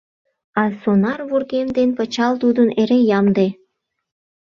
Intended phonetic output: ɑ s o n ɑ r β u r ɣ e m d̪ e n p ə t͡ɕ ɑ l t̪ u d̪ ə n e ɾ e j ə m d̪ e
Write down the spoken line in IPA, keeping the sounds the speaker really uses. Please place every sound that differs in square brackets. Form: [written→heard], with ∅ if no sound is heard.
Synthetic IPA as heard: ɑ s o n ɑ r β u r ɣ e m d̪ e n p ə t͡ɕ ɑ l t̪ u d̪ ə n e ɾ e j [ə→ɑ] m d̪ e